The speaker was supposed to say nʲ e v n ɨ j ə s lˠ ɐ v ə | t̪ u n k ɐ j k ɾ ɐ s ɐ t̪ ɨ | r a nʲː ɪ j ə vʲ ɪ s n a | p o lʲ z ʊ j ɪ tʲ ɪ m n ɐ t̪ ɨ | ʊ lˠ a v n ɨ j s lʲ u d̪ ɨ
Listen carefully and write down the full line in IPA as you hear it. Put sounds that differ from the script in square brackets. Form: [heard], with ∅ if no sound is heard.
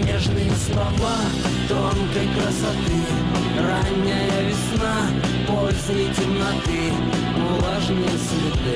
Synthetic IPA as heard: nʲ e [ʐ] n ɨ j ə s lˠ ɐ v [a] | t̪ [o] n k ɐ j k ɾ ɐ s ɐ t̪ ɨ | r a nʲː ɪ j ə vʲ ɪ s n a | p o lʲ z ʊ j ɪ tʲ ɪ m n ɐ t̪ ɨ | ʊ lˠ a [ʐ] n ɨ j s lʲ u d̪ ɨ